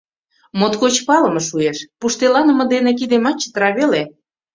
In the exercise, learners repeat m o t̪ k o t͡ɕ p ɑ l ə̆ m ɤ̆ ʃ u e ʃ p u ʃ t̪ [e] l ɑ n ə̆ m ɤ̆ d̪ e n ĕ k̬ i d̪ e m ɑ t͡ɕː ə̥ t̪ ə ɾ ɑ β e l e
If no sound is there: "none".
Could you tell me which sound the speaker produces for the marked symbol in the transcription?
e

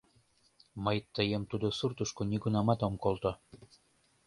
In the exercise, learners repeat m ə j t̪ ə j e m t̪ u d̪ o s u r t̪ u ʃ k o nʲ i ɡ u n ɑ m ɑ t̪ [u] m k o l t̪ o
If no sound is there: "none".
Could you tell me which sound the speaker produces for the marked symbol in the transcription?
o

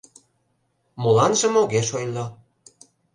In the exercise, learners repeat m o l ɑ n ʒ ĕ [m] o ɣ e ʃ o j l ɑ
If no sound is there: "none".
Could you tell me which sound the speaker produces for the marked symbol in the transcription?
m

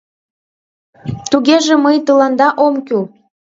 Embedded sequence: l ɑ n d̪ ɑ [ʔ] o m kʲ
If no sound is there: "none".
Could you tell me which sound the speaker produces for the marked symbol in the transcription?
ʔ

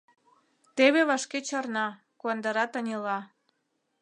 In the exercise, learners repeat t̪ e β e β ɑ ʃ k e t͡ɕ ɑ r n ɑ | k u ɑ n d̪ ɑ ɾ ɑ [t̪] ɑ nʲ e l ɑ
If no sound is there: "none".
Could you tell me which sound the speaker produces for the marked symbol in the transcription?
t̪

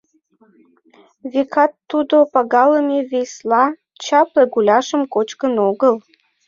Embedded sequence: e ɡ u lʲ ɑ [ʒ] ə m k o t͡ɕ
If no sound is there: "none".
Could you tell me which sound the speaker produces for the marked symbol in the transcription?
ʃ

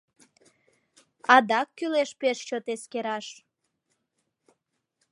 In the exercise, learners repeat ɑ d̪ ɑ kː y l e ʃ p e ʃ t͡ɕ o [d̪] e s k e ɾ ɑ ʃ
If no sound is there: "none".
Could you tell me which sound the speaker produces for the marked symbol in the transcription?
t̪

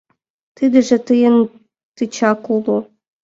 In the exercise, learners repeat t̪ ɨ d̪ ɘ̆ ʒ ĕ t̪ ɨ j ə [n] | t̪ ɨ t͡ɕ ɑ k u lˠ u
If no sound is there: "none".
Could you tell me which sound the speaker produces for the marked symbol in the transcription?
n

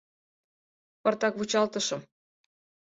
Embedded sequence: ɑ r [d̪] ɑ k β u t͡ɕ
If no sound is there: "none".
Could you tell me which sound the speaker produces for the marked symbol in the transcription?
t̪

